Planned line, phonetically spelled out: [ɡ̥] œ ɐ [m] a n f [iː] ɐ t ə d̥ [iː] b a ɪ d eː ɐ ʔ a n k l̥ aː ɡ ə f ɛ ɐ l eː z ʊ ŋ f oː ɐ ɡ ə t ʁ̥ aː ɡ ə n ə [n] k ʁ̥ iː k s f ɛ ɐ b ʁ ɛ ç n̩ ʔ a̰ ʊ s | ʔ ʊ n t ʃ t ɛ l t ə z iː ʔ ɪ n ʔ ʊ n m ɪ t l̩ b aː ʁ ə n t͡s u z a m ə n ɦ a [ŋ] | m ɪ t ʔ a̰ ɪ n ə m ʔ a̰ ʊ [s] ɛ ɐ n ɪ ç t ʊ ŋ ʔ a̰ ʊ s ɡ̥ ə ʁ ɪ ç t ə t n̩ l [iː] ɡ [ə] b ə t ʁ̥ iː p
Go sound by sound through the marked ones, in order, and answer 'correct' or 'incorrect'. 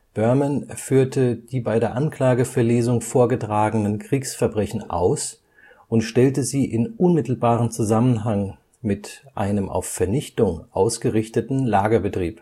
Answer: incorrect, correct, incorrect, correct, correct, correct, incorrect, incorrect, incorrect

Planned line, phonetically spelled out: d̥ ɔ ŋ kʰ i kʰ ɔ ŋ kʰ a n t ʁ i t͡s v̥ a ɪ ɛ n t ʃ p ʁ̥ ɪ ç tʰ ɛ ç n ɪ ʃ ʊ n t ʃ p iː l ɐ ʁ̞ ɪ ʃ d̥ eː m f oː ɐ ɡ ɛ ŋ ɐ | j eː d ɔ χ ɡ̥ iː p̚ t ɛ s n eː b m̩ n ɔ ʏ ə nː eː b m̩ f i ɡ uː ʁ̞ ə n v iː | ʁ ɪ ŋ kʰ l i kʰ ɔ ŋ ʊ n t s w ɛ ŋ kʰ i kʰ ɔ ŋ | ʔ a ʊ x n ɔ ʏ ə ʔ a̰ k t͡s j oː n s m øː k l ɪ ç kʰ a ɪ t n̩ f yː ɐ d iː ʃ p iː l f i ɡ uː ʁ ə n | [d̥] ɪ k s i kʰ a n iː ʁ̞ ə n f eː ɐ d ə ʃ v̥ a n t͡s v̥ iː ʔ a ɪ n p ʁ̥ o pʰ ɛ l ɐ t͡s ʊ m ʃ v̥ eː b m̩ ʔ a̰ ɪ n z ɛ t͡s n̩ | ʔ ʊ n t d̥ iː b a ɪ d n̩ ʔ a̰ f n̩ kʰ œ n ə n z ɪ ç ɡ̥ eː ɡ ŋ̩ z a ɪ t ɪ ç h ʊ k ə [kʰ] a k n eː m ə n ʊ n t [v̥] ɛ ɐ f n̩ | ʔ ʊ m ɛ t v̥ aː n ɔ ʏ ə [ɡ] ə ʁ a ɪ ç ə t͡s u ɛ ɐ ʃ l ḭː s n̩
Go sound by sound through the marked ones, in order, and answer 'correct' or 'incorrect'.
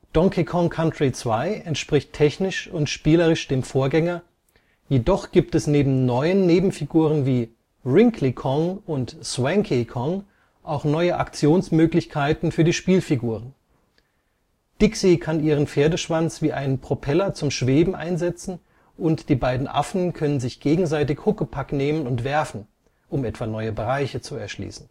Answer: correct, incorrect, correct, incorrect

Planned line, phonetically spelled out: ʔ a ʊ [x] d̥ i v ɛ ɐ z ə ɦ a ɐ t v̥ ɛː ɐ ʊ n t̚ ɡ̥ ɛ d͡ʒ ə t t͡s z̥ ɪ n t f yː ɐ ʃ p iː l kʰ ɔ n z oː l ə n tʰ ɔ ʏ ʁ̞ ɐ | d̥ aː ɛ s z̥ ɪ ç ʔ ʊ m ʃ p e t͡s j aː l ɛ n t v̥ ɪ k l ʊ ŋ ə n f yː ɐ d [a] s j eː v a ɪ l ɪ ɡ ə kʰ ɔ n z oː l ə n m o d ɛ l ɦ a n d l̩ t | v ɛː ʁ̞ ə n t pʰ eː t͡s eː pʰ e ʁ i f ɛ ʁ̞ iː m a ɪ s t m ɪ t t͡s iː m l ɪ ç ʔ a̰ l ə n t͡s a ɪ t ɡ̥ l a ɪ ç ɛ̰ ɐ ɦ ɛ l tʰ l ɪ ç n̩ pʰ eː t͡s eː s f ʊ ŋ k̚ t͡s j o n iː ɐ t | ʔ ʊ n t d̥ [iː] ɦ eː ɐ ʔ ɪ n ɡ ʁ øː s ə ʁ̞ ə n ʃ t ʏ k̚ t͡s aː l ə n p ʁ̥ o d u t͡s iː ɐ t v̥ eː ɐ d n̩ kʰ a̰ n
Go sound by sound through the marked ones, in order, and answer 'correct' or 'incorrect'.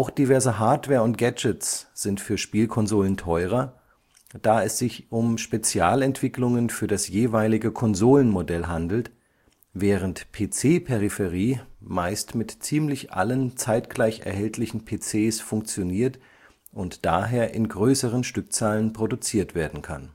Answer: correct, correct, incorrect

